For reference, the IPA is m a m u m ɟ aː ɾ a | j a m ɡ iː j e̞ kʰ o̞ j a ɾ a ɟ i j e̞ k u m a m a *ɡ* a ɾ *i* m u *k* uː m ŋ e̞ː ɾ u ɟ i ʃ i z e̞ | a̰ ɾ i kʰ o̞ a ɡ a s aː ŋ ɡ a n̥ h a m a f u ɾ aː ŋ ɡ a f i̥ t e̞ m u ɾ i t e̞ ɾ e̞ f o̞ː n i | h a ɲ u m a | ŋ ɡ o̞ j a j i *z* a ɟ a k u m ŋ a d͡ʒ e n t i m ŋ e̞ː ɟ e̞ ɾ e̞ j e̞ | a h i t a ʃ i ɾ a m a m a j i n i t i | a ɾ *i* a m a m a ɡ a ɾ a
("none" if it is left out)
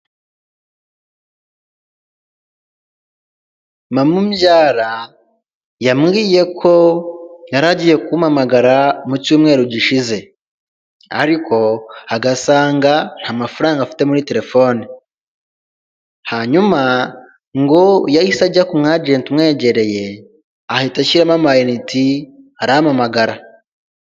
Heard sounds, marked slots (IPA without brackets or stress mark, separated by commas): ɡ, a, c, s, a